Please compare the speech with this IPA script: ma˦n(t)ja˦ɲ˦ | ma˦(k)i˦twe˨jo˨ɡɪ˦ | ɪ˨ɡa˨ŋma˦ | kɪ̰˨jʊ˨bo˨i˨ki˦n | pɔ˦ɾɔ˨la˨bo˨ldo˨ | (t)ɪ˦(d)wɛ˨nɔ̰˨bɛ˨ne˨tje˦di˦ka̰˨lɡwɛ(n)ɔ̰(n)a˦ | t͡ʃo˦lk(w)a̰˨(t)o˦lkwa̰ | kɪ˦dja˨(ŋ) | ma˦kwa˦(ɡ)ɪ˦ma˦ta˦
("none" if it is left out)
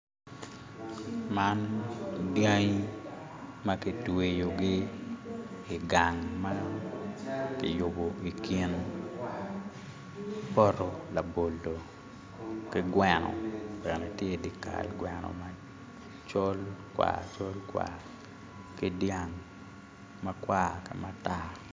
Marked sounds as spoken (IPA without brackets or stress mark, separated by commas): d, k, k, ɡ, n, m, w, t͡ʃ, ŋ, k